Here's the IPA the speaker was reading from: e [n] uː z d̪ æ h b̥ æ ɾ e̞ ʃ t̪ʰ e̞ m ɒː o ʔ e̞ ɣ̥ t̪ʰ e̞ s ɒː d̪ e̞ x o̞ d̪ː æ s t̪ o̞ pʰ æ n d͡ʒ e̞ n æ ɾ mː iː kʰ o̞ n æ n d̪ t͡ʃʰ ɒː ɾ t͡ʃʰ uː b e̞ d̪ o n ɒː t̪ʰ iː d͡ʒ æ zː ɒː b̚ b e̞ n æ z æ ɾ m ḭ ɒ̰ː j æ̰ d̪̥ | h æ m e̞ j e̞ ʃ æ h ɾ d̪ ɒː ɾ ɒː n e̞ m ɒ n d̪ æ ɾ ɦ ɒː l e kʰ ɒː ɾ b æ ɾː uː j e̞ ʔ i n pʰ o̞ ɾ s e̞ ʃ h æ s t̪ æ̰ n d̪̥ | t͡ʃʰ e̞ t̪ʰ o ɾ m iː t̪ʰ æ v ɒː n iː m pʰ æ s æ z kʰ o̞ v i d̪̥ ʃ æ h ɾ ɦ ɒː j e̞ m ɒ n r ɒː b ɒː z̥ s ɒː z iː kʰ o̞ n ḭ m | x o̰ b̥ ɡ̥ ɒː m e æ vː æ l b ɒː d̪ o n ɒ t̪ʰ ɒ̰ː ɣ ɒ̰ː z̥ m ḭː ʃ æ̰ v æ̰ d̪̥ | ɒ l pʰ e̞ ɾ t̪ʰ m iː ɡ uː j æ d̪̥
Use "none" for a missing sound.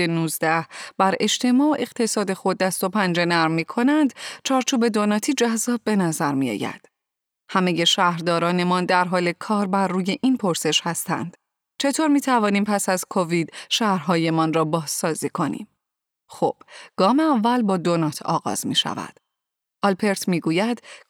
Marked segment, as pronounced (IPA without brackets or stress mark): n